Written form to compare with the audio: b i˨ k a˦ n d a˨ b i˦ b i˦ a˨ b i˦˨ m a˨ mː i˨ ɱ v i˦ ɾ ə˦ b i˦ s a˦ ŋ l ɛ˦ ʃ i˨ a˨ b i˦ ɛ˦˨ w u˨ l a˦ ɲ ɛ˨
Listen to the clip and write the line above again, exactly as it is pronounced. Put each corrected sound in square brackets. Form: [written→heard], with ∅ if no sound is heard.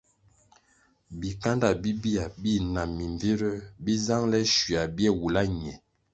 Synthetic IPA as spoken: b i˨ k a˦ n d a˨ b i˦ b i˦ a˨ b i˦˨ [m→n] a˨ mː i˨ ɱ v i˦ ɾ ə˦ b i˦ [s→z] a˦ ŋ l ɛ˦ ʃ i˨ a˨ b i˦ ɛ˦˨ w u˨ l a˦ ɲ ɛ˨